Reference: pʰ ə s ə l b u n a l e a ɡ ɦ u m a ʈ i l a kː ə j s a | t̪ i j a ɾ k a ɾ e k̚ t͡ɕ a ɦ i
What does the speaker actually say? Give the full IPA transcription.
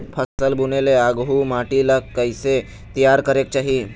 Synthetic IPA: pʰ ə s ə l b u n e l e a ɡ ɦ u m a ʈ i l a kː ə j s e | t̪ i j a ɾ k ə ɾ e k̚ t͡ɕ a ɦ i